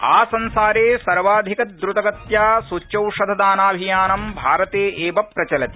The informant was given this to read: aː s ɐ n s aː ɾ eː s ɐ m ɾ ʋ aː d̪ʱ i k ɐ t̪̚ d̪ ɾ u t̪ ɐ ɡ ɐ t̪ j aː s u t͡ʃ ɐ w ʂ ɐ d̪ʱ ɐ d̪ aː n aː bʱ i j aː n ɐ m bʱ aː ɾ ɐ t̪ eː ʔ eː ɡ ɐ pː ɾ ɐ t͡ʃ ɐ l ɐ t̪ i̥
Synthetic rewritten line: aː s ɐ n s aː ɾ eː s ɐ ɾ ʋ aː d̪ʱ i k ɐ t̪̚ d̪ ɾ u t̪ ɐ ɡ ɐ t̪ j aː s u t͡ʃ ɐ w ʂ ɐ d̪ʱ ɐ d̪ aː n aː bʱ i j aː n ɐ m bʱ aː ɾ ɐ t̪ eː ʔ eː b ɐ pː ɾ ɐ t͡ʃ ɐ l ɐ t̪ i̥